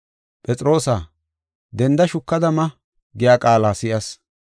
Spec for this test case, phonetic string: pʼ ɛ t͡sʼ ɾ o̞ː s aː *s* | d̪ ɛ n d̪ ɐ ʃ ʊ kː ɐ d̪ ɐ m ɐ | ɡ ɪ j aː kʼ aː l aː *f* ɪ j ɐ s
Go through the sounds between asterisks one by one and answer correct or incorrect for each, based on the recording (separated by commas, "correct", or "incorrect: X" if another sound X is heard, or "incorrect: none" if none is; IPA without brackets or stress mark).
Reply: incorrect: none, incorrect: s